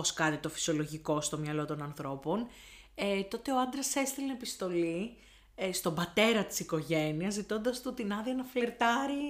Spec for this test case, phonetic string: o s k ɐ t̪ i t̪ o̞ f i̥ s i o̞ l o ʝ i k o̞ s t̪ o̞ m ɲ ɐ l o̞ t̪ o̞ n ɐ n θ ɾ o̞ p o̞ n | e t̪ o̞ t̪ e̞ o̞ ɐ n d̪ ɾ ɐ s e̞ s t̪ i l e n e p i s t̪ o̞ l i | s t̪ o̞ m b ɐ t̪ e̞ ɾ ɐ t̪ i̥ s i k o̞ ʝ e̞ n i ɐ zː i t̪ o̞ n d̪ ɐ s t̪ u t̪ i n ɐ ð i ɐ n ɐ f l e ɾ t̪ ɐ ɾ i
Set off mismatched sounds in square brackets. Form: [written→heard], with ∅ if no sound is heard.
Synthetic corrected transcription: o s k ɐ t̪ i t̪ o̞ f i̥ s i o̞ l o ʝ i k o̞ s t̪ o̞ m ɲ ɐ l o̞ t̪ o̞ n ɐ n θ ɾ o̞ p o̞ n | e t̪ o̞ t̪ e̞ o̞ ɐ n d̪ ɾ ɐ s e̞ s t̪ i l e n e p i s t̪ o̞ l i | s t̪ o̞ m b ɐ t̪ e̞ ɾ ɐ t̪ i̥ s i k o̞ ʝ e̞ n i ɐ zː i t̪ o̞ n d̪ ɐ s t̪ u t̪ i n ɐ ð i ɐ n ɐ f l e ɾ t̪ ɐ ɾ i